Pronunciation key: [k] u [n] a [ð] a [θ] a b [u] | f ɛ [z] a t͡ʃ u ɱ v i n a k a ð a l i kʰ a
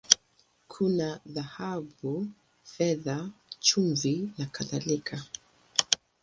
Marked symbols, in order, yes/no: no, yes, yes, no, yes, no

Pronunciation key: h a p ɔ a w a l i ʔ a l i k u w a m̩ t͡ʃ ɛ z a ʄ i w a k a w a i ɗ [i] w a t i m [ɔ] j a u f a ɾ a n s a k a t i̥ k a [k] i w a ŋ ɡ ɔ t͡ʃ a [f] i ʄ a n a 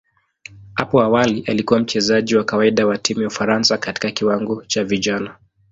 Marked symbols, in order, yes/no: no, no, yes, no

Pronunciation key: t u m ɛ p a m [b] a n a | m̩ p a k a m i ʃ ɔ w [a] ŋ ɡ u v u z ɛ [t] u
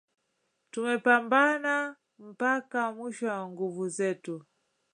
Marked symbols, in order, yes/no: yes, yes, yes

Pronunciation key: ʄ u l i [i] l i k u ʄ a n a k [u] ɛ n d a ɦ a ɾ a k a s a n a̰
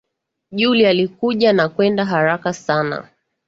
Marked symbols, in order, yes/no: no, no

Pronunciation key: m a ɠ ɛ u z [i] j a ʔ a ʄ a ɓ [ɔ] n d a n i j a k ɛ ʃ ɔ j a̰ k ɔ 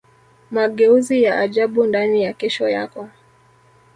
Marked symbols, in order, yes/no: yes, no

